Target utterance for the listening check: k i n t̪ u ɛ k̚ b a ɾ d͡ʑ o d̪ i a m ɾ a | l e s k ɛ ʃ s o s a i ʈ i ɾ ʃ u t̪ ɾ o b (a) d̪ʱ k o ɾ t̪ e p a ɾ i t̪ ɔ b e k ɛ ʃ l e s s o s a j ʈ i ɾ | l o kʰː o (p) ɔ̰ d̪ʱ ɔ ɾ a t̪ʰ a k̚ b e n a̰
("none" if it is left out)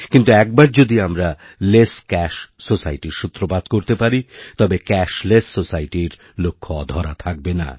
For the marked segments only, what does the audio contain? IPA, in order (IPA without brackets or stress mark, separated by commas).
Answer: a, none